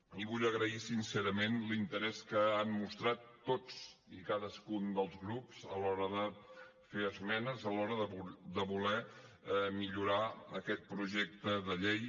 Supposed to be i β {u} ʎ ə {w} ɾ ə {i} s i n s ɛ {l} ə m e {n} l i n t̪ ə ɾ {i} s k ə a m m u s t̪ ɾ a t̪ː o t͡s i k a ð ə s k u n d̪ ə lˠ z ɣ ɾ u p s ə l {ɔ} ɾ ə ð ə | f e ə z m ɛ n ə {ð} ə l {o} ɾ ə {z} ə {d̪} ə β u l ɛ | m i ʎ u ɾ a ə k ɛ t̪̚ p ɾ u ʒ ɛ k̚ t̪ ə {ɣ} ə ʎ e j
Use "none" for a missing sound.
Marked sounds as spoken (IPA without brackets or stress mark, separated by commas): u, ɣ, i, ɾ, n, ɛ, ɔ, z, ɔ, ð, d̪, ð